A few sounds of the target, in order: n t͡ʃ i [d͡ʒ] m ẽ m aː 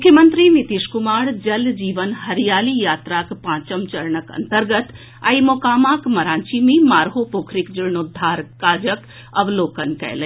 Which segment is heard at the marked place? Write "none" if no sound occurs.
none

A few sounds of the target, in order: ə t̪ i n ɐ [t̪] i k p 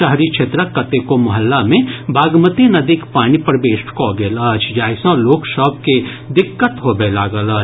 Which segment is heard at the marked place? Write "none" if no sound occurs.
d̪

